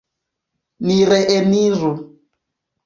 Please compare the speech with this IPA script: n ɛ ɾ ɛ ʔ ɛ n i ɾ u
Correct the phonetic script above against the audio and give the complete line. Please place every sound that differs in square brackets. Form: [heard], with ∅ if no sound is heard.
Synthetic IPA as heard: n [i] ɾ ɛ ʔ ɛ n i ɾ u